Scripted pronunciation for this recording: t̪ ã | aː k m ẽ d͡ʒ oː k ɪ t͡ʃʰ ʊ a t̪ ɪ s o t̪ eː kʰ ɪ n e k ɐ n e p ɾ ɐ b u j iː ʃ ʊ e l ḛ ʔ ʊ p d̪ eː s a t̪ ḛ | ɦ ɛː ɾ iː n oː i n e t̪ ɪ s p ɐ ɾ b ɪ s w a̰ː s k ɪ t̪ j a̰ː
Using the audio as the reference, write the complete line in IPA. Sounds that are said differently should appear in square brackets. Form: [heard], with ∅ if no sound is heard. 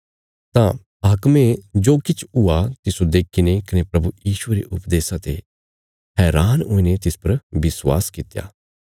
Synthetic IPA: t̪ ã | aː k m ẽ d͡ʒ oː k ɪ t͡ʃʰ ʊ a t̪ ɪ s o [d̪] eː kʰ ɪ n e k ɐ n e p ɾ ɐ b u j iː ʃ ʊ e [ɾ] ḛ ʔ ʊ p d̪ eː s a t̪ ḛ | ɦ ɛː ɾ [aː] n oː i n e t̪ ɪ s p ɐ ɾ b ɪ s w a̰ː s k ɪ t̪ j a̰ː